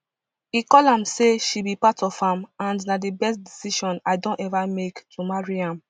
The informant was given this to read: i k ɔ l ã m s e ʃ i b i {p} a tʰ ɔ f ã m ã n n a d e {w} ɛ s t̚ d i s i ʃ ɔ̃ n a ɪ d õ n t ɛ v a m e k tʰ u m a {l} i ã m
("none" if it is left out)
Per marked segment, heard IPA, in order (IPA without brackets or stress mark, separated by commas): p, b, ɹ